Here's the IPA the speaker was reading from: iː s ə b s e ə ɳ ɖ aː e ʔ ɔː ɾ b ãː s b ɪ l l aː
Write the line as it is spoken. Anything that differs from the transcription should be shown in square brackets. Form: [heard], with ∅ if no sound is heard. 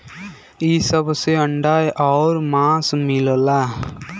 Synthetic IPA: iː s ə b s e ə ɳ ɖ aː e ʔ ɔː ɾ [m] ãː s [m] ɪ l l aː